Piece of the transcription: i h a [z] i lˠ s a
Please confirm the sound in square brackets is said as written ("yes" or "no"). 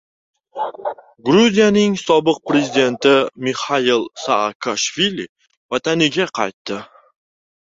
no